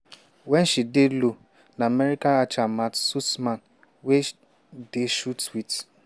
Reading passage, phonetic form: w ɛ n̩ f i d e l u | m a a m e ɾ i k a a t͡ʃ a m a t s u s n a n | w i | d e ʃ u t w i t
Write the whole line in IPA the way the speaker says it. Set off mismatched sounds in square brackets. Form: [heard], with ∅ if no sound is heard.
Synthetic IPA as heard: w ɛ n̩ [ʃ] i d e l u | [n] a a m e ɾ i k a a t͡ʃ a m a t s u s [m] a n | w [e] | d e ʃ u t w i t